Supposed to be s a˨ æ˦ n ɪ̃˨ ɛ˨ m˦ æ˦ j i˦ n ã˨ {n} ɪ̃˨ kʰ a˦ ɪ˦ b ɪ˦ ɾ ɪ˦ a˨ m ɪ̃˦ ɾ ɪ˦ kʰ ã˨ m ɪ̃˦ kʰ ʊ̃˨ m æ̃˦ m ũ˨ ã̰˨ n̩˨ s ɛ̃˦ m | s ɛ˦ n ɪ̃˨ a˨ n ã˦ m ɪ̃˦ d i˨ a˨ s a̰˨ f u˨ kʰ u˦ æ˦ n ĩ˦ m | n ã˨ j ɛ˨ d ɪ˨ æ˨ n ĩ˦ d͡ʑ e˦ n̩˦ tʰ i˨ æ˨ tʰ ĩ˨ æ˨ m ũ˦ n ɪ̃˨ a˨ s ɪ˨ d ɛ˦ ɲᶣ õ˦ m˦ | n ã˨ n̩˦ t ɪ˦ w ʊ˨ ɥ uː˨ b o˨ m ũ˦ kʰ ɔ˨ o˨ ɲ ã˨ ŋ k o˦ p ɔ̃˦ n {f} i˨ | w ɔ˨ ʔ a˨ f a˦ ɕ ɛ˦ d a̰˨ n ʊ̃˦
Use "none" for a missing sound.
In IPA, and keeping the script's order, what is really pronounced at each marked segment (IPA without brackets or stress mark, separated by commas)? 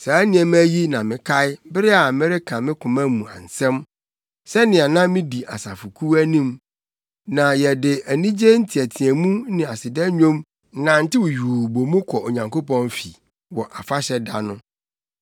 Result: m, f